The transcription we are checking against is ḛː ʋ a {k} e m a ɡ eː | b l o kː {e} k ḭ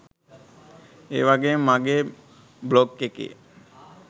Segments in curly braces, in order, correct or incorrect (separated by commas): incorrect, correct